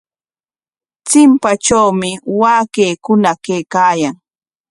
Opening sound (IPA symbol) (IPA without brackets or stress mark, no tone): t͡s